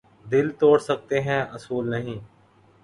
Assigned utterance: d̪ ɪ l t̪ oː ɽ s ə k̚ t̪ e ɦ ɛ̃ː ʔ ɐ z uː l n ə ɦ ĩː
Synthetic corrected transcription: d̪ ɪ l t̪ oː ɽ s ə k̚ t̪ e ɦ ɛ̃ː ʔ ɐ s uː l n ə ɦ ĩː